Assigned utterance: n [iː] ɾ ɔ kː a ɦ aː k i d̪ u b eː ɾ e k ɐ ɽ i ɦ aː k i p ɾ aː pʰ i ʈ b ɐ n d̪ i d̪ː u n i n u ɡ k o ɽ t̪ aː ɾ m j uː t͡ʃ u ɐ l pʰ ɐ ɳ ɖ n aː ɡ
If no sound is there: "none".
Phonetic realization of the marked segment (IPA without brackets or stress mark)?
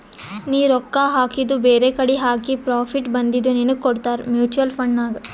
iː